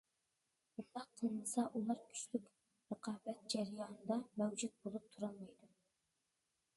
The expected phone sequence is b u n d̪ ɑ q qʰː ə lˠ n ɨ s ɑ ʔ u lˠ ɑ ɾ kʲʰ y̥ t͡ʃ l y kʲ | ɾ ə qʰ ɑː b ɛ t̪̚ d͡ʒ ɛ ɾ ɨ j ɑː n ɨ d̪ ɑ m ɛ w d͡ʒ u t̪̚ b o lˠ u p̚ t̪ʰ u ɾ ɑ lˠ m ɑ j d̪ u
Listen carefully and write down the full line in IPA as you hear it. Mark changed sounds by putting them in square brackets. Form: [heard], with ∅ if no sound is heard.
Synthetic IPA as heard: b u n d̪ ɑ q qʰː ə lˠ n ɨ s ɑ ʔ u lˠ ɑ ɾ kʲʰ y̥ t͡ʃ l y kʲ | ɾ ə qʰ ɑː b ɛ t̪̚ d͡ʒ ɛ ɾ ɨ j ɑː n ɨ d̪ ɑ m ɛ w d͡ʒ u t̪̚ b o lˠ u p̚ t̪ʰ u ɾ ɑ lˠ m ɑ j d̪ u